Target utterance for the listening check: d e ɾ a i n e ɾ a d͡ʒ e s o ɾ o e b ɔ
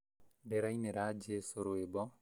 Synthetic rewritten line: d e ɾ a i n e ɾ a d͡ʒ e s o ɾ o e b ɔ